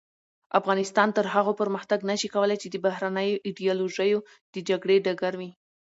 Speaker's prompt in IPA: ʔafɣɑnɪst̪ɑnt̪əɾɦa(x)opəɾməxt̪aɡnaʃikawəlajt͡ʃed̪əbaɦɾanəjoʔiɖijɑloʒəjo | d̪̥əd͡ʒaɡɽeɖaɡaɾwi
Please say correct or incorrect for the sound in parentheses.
incorrect